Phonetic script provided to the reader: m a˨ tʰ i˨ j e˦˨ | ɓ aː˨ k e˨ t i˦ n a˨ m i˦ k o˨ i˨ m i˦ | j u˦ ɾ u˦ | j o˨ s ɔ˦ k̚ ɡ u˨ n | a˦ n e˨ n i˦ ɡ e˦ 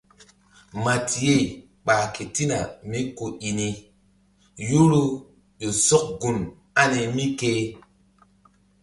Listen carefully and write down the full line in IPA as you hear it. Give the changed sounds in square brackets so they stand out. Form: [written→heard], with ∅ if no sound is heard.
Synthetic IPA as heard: m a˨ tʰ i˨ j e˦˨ | ɓ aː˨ k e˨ t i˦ n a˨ m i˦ k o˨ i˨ [m→n] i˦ | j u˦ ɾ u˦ | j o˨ s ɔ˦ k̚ ɡ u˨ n | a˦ n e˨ [n→m] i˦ [ɡ→k] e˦

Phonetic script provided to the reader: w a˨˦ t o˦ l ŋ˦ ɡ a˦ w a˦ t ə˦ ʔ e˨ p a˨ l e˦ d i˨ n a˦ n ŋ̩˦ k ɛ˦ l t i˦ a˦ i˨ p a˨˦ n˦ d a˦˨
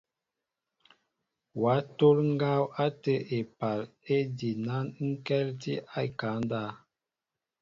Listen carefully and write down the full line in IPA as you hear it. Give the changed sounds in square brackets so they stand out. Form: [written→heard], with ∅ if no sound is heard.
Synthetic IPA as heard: w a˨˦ t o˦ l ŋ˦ ɡ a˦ w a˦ t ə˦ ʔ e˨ p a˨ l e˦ d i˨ n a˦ n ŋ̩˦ k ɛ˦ l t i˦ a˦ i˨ [p→k] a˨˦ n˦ d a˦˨

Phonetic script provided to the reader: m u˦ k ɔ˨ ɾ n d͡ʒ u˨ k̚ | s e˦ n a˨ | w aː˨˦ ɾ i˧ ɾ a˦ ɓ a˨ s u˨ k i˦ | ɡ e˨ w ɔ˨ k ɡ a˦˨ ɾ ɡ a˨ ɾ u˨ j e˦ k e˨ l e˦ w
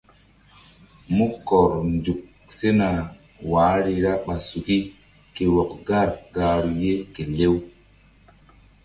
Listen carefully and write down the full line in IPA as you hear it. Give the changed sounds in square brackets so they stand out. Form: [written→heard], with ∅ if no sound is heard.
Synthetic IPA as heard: m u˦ k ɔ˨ ɾ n d͡ʒ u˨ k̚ | s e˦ n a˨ | w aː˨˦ ɾ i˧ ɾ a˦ ɓ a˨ s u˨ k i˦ | [ɡ→k] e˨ w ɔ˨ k ɡ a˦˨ ɾ ɡ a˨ ɾ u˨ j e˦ k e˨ l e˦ w

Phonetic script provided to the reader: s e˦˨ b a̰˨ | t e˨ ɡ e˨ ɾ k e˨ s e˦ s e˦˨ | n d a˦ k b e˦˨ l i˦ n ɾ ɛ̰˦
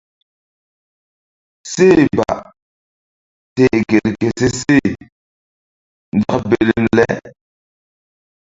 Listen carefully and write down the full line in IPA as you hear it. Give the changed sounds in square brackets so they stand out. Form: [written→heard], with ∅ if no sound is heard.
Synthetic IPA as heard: s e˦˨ b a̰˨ | t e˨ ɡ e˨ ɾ k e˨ s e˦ s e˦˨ | n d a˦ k b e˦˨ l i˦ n [ɾ→l] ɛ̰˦

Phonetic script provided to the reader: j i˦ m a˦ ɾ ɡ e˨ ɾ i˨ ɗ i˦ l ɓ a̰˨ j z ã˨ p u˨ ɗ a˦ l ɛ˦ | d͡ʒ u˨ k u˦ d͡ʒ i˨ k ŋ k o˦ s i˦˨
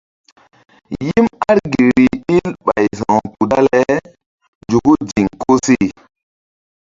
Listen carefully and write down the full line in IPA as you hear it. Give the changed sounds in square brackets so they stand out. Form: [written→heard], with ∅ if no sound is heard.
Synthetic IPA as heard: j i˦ m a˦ ɾ ɡ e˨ ɾ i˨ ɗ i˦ l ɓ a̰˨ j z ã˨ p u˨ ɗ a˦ l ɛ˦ | d͡ʒ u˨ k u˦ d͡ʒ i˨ [k→∅] ŋ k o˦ s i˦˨

